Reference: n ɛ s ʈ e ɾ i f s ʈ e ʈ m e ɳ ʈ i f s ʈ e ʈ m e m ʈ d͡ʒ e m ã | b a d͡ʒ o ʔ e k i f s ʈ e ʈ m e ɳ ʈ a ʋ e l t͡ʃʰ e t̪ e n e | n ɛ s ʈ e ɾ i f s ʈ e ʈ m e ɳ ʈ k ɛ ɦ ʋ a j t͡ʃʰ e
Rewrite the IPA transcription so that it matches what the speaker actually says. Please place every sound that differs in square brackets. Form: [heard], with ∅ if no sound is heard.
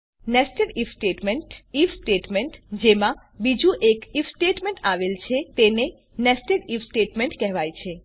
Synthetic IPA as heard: n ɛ s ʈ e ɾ i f s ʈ e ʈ m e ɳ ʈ i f s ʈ e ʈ m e [ɳ] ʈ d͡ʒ e m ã | b [i] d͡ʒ [u] ʔ e k i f s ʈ e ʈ m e ɳ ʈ a ʋ e l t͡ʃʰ e t̪ e n e | n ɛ s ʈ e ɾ i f s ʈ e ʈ m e ɳ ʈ k ɛ ɦ ʋ a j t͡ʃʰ e